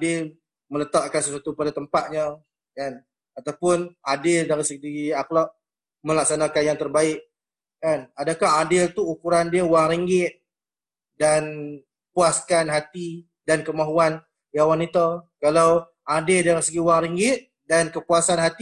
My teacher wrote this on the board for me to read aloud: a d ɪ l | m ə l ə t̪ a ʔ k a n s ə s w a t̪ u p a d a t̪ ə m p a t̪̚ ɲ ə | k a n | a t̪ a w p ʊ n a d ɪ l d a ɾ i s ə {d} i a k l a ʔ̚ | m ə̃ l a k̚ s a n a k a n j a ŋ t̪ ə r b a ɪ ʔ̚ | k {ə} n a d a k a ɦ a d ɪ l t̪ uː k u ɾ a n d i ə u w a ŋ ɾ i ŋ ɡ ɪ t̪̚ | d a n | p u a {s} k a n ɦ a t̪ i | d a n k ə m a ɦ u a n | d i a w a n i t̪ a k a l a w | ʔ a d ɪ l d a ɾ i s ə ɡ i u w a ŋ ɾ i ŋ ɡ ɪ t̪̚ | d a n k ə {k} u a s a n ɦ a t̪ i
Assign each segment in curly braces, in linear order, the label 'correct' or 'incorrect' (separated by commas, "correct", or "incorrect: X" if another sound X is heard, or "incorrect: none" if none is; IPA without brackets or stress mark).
incorrect: ɡ, incorrect: a, correct, incorrect: p